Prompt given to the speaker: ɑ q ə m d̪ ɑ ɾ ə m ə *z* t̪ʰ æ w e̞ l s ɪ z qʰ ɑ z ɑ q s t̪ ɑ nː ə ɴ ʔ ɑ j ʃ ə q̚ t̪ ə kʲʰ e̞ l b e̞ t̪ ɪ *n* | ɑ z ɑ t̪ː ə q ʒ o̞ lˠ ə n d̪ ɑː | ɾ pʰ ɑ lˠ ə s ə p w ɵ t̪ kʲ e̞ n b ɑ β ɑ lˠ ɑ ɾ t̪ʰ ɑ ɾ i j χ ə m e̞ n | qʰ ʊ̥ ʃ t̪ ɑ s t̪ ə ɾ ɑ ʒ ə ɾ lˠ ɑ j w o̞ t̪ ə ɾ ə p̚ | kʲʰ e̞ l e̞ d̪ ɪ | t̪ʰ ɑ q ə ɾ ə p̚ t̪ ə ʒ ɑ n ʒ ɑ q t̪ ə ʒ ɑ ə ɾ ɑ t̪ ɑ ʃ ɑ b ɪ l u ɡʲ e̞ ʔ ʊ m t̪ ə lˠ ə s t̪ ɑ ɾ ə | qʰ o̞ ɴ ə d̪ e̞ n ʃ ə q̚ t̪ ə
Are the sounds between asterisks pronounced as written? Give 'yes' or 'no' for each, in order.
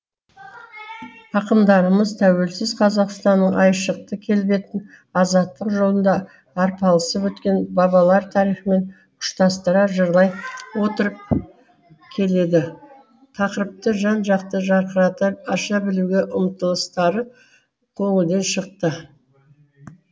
yes, yes

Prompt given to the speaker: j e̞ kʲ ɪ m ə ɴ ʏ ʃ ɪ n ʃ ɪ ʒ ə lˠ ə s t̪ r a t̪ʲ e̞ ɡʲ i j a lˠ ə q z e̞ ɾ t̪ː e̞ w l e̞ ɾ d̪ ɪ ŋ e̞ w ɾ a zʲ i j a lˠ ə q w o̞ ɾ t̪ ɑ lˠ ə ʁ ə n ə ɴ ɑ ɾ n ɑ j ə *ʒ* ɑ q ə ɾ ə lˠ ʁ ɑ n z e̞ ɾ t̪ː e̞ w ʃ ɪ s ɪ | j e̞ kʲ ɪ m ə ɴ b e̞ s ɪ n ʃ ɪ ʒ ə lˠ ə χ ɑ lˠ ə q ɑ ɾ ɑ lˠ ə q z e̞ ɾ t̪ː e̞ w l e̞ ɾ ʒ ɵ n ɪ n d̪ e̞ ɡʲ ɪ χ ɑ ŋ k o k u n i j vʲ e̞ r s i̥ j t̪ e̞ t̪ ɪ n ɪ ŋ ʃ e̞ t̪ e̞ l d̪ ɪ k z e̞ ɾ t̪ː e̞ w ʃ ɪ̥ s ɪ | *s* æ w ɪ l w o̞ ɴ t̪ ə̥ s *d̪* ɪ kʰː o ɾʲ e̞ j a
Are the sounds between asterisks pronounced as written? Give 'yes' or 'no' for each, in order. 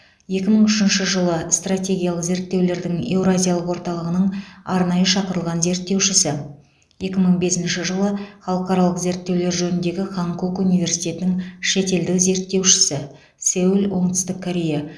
no, yes, no

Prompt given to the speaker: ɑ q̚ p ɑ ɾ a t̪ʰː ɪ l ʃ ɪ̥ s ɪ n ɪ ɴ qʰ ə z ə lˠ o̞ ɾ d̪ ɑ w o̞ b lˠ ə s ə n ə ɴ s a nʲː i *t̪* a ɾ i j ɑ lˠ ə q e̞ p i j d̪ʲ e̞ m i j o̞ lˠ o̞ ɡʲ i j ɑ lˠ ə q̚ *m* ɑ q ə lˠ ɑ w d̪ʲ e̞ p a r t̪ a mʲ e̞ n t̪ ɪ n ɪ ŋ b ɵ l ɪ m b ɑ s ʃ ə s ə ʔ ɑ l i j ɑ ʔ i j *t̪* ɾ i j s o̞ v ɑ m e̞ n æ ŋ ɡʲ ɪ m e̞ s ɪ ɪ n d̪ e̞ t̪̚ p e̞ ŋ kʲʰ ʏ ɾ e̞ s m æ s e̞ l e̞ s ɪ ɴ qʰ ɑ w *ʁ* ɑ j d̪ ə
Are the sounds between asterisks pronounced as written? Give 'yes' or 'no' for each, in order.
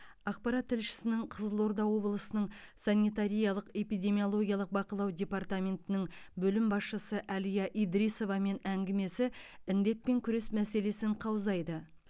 yes, no, no, no

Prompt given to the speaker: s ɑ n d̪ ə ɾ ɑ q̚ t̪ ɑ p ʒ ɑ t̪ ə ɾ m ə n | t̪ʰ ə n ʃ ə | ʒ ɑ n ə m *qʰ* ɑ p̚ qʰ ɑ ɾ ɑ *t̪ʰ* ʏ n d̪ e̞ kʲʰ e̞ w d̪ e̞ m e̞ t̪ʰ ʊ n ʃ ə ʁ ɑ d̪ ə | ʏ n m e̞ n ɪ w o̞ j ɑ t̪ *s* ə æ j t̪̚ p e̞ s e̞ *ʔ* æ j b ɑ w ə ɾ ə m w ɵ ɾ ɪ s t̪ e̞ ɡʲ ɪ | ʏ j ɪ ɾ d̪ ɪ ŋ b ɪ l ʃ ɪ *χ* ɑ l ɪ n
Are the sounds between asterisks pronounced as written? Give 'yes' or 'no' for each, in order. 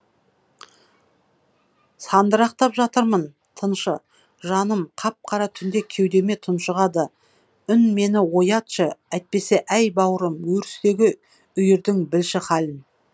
yes, yes, no, yes, yes

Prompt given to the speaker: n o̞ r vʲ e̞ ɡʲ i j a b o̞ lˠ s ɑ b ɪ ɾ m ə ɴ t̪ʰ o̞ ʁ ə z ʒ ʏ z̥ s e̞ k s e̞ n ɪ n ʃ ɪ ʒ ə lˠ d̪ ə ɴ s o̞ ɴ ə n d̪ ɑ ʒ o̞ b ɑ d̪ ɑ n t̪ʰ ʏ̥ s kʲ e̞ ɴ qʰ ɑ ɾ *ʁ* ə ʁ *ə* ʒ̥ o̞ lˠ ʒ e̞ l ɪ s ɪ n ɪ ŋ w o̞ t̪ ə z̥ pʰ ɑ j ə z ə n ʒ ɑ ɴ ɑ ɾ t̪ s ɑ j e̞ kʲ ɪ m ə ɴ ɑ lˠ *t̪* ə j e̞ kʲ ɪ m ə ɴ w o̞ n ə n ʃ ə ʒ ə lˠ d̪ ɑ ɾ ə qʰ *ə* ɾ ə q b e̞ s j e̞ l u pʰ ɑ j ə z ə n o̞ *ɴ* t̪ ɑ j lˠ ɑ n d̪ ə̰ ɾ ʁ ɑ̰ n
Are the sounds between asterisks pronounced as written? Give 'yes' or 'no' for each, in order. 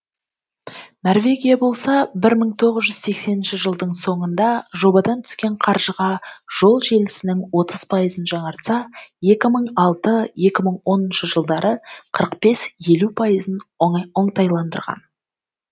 no, no, yes, yes, yes

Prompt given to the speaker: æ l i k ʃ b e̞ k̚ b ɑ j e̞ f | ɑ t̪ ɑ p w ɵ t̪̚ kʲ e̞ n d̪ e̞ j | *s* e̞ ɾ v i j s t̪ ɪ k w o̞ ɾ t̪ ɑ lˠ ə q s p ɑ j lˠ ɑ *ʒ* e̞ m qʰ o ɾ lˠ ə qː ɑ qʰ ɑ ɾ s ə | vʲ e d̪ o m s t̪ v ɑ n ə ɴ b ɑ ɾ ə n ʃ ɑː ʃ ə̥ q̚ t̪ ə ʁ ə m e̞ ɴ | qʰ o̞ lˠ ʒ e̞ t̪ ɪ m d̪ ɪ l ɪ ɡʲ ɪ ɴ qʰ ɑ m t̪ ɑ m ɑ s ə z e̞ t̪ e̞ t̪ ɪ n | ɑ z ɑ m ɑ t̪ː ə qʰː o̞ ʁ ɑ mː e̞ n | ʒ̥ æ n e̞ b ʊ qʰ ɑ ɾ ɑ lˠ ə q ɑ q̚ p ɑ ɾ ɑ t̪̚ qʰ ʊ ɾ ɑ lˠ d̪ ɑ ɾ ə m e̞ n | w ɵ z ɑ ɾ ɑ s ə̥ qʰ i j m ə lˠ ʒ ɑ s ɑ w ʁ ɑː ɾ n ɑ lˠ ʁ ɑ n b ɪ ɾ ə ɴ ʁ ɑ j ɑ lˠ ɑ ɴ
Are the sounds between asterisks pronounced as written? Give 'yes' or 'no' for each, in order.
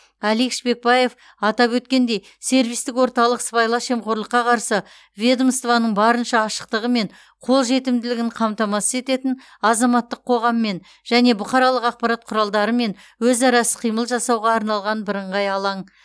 yes, no

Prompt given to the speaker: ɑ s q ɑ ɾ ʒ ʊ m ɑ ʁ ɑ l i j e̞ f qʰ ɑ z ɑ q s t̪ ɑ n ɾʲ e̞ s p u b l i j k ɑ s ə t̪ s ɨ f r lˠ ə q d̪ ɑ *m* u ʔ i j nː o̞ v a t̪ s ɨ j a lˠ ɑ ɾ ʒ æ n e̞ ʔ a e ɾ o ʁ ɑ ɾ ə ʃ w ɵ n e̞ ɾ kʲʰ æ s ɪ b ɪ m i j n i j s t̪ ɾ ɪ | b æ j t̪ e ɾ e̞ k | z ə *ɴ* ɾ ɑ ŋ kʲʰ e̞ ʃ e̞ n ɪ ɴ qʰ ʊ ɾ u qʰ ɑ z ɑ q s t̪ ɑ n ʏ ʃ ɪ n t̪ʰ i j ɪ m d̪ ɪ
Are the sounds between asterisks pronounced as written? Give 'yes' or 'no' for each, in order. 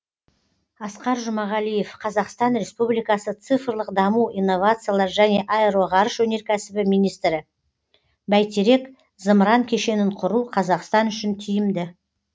yes, no

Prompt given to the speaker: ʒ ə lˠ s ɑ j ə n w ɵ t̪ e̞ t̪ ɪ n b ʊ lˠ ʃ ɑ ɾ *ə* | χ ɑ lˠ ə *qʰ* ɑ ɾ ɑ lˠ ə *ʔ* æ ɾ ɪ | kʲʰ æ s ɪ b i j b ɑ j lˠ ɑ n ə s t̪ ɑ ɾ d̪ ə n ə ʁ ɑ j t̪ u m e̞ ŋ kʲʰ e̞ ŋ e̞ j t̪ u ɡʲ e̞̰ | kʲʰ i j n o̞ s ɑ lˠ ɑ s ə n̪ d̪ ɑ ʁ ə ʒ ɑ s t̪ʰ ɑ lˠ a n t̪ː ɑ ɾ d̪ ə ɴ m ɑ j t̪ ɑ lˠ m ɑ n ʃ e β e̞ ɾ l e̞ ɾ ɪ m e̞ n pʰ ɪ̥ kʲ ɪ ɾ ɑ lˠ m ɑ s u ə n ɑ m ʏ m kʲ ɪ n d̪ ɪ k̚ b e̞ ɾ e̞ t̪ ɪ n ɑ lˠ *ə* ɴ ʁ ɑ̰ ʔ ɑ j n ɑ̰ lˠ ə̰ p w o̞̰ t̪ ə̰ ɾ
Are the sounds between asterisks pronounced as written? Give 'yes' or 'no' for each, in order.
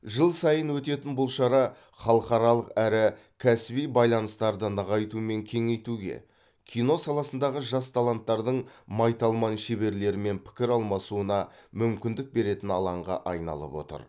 no, no, no, no

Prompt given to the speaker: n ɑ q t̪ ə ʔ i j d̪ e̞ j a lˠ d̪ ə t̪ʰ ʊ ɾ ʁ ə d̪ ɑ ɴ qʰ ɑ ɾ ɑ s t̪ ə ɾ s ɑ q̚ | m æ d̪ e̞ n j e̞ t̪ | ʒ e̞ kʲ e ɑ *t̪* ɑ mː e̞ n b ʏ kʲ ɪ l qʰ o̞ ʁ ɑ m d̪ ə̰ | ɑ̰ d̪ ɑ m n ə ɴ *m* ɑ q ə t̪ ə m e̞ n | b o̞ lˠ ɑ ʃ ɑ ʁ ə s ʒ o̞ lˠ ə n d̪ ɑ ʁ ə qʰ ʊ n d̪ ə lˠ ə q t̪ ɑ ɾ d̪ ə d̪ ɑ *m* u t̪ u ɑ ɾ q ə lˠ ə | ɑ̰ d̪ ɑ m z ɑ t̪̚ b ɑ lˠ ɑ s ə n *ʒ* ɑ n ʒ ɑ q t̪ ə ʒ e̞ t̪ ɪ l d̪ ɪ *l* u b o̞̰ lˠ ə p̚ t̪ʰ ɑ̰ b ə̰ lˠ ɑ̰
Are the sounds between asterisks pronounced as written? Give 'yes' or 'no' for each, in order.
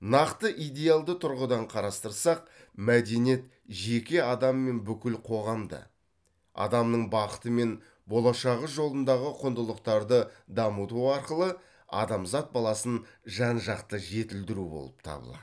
no, no, yes, yes, no

